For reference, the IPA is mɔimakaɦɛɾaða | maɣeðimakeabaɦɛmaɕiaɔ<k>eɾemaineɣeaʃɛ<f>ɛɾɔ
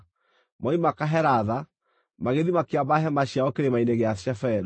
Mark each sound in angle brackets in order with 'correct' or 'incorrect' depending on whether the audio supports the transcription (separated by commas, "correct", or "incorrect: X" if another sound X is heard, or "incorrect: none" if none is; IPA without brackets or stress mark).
correct, correct